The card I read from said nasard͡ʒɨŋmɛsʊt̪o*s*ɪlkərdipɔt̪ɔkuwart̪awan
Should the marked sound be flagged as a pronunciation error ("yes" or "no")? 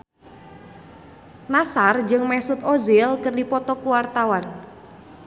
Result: yes